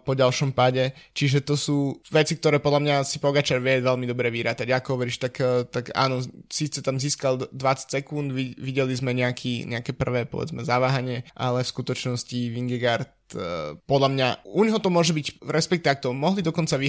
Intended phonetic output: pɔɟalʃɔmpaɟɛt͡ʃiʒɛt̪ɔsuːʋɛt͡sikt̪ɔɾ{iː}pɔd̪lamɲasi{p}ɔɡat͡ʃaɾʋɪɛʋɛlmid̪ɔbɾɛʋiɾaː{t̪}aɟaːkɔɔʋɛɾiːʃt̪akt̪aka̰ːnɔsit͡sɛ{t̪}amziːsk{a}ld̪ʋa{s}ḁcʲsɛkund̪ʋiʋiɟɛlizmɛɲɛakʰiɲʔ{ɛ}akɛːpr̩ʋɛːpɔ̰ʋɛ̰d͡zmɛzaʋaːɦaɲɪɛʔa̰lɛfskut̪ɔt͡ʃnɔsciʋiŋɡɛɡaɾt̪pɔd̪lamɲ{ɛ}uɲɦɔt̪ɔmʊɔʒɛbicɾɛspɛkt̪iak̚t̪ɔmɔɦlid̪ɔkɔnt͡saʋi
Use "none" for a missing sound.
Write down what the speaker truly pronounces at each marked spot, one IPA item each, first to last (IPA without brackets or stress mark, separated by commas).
ɛː, p, t̪, t̪, a, t͡s, ɛ, a